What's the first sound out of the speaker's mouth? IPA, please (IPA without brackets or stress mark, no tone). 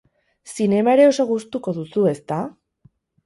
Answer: s